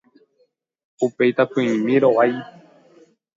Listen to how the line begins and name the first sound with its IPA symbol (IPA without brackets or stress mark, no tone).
u